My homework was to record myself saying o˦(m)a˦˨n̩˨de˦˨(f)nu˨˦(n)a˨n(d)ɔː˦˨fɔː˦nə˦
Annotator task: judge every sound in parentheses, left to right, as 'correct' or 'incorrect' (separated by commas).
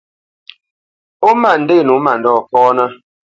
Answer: correct, incorrect, incorrect, correct